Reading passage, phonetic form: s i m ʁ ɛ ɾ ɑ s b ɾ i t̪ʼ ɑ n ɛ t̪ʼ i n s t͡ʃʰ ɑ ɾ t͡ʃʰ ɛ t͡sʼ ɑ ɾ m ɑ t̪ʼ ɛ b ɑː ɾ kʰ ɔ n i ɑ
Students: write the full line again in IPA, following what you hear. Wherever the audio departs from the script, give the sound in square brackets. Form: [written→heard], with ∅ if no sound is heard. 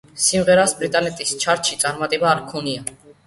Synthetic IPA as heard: s i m ʁ ɛ ɾ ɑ s b ɾ i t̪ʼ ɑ n ɛ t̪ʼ i [n→∅] s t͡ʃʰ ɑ ɾ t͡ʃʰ [ɛ→i] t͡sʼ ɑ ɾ m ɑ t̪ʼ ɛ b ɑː ɾ kʰ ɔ n i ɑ

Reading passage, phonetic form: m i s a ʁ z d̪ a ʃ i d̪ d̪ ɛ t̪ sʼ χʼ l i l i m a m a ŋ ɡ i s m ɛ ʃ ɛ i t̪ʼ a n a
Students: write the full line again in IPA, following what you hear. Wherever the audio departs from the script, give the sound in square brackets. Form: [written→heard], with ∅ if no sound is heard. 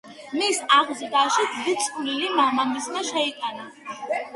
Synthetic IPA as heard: m i s a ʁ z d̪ a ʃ i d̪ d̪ [ɛ→i] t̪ sʼ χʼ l i l i m a m a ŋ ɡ i s m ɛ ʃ ɛ i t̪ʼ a n a

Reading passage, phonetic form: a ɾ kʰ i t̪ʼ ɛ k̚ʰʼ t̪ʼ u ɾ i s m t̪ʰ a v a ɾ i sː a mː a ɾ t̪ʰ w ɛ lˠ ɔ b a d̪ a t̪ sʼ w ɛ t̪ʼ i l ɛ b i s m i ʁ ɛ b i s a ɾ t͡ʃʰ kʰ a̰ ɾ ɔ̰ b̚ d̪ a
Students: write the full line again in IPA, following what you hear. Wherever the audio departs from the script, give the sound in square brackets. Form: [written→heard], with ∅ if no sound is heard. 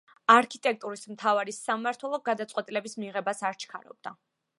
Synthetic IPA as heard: a ɾ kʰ i t̪ʼ ɛ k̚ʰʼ t̪ʼ u ɾ i s m t̪ʰ a v a ɾ i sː a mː a ɾ t̪ʰ w ɛ lˠ ɔ [b→ɡ] a d̪ a t̪ sʼ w ɛ t̪ʼ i l ɛ b i s m i ʁ ɛ b [i→a] s a ɾ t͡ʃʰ kʰ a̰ ɾ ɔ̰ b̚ d̪ a

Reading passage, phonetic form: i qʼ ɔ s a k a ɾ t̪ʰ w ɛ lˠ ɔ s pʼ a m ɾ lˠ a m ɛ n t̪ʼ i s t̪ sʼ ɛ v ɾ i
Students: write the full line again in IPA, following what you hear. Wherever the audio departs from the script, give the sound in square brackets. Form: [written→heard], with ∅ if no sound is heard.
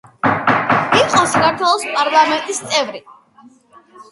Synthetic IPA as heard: i qʼ ɔ s a k a ɾ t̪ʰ w ɛ lˠ ɔ s pʼ a [m→∅] ɾ lˠ a m ɛ n t̪ʼ i s t̪ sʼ ɛ v ɾ i

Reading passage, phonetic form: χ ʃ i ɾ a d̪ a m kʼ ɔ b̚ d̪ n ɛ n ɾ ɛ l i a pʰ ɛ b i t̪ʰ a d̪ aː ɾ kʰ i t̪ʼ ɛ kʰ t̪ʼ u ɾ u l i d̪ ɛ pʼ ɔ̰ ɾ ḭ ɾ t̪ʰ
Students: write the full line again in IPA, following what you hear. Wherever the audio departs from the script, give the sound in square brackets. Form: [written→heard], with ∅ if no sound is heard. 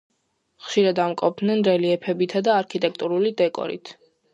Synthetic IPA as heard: χ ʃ i ɾ a d̪ a m kʼ ɔ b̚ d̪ n ɛ n ɾ ɛ l i [a→ɛ] pʰ ɛ b i t̪ʰ a d̪ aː ɾ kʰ i t̪ʼ ɛ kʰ t̪ʼ u ɾ u l i d̪ ɛ [pʼ→kʼ] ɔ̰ ɾ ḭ [ɾ→∅] t̪ʰ

